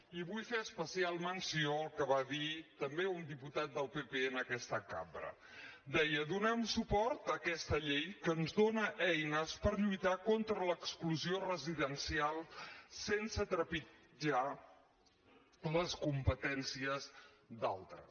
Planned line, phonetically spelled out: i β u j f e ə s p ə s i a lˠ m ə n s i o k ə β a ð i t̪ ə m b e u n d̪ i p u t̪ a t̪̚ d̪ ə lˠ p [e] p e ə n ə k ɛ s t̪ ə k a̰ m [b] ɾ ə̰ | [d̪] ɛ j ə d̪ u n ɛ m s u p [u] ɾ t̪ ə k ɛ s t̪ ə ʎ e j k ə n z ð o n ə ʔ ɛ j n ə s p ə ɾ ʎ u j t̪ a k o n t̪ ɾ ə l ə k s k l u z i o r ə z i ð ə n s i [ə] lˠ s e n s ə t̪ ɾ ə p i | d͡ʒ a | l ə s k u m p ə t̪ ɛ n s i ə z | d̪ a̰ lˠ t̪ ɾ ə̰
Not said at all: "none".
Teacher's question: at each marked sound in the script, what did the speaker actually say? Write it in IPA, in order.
e, b, d̪, ɔ, a

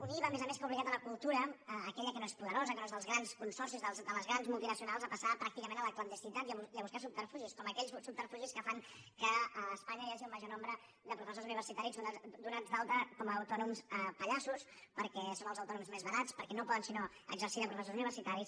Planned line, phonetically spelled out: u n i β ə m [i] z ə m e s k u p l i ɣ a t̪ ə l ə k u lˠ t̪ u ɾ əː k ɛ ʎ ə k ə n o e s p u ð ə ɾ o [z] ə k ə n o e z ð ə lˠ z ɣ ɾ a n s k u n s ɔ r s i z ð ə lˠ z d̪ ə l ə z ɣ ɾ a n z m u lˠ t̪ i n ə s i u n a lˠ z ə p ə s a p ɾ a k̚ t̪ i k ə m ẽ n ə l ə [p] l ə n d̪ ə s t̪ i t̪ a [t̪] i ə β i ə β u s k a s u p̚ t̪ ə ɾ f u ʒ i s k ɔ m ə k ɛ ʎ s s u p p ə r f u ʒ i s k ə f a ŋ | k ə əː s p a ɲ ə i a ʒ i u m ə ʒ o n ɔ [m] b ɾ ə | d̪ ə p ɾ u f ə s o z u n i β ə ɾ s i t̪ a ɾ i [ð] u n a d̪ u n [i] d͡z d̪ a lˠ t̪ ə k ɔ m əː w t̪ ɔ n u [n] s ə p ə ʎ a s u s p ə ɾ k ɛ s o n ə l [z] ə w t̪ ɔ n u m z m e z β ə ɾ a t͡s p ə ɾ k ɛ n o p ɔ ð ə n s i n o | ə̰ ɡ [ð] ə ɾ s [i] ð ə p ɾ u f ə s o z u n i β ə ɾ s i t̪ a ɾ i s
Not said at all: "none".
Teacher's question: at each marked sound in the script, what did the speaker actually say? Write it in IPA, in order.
e, z, k, t̪, m, z, a, m, z, z, i

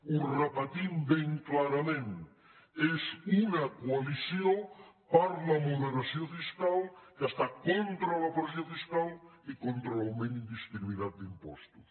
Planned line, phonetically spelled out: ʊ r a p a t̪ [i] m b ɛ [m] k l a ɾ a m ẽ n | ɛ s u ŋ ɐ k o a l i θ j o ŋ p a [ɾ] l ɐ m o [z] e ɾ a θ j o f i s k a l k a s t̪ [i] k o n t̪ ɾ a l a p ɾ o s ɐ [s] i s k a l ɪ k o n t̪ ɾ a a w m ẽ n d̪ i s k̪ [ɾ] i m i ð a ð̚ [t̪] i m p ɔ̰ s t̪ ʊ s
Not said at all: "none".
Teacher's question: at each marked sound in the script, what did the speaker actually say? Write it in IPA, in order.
i, ŋ, ɾ, ð, a, f, ɾ, d̪

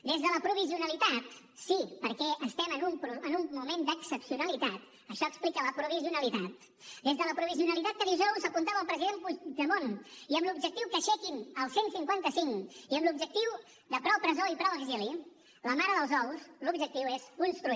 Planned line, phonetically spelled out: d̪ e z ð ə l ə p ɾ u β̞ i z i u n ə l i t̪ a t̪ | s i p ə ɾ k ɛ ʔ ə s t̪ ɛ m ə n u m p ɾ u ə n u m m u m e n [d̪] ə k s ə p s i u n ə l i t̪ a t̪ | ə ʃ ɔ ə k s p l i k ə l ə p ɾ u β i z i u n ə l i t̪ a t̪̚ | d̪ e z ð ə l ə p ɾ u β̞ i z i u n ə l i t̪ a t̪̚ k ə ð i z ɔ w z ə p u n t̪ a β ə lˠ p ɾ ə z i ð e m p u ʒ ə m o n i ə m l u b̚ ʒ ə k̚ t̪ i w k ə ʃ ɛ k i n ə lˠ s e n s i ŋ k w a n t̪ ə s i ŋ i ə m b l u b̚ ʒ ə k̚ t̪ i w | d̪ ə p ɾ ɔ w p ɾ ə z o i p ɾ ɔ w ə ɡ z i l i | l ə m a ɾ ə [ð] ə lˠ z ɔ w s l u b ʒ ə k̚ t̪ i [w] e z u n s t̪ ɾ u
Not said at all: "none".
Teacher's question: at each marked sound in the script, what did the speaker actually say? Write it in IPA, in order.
d̪, ð, w

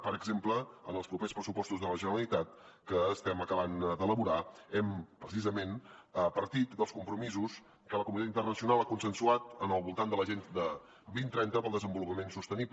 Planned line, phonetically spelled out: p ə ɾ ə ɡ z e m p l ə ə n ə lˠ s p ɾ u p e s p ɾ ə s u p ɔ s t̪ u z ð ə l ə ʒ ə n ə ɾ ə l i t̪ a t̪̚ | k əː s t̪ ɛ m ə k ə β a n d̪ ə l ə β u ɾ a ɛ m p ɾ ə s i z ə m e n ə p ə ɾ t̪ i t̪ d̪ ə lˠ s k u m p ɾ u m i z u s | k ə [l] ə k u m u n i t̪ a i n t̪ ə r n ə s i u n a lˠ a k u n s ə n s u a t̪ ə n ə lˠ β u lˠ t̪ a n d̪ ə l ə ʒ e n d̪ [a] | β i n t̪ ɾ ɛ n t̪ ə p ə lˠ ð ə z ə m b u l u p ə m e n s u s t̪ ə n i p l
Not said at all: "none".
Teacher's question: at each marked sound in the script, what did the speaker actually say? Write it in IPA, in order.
l, ə

